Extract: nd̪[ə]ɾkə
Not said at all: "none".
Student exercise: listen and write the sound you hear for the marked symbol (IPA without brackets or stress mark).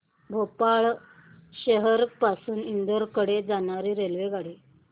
ə